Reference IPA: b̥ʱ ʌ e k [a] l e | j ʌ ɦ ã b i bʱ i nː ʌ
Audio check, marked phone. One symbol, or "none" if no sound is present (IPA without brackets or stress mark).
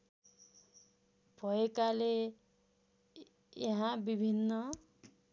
a